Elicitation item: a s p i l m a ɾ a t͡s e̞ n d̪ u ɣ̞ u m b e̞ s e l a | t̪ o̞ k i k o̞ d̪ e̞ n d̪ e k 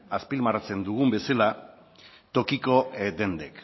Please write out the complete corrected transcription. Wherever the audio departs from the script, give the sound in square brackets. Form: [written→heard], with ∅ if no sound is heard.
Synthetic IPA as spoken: a s p i l m a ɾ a t͡s e̞ n d̪ u ɣ̞ u m b e̞ s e l a | t̪ o̞ k i k o̞ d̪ e̞ n d̪ e k